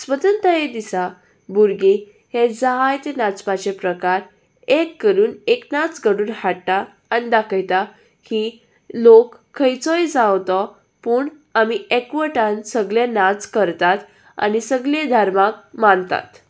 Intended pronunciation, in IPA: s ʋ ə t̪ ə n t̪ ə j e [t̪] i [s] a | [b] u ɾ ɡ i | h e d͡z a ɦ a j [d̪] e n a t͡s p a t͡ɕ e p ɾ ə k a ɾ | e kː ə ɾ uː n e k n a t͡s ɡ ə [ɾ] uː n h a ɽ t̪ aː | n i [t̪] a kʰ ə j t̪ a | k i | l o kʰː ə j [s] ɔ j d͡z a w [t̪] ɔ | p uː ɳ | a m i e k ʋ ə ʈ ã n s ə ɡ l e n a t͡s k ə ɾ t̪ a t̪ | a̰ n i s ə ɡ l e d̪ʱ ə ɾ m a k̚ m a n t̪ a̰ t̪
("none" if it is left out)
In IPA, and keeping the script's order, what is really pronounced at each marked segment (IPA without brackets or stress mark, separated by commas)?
d̪, s, b, t̪, ɽ, d̪, t͡s, t̪